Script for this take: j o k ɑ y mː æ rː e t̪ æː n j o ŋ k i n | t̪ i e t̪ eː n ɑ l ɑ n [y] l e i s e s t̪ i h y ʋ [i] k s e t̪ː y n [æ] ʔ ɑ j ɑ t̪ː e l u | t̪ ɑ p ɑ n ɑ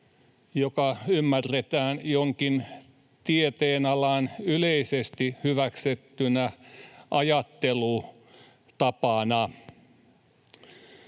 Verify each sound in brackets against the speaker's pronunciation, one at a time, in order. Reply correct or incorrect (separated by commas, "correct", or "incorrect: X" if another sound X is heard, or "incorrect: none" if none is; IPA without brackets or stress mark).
correct, incorrect: æ, correct